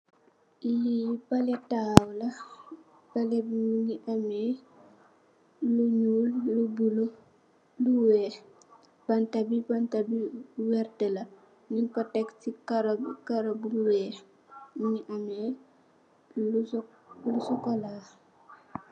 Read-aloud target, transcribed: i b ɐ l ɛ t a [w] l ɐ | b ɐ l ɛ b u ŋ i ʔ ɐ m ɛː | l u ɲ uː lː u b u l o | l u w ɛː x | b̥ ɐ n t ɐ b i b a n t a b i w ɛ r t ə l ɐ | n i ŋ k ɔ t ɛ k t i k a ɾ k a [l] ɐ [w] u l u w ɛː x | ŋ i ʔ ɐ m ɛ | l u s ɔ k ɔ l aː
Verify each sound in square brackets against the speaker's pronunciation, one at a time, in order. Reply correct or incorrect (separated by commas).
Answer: correct, incorrect, incorrect